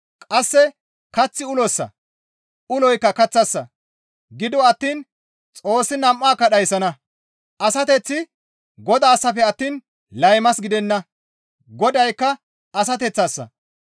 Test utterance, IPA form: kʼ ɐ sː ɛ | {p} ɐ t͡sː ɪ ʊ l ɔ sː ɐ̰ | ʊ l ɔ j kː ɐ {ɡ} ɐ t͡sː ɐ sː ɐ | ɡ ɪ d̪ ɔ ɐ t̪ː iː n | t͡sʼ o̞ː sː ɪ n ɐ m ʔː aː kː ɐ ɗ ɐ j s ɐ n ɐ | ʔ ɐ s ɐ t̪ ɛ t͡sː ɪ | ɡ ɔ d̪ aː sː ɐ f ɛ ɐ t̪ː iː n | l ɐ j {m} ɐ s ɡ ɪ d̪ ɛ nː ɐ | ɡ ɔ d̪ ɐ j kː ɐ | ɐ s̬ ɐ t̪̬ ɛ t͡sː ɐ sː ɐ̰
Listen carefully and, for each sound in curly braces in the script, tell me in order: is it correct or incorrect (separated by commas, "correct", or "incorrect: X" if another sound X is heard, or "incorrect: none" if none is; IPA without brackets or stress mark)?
incorrect: k, incorrect: k, correct